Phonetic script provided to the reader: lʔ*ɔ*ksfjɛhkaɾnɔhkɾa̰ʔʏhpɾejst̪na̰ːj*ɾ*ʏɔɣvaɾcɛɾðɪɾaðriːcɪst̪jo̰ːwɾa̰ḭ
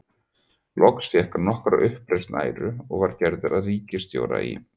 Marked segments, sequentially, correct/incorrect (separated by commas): correct, correct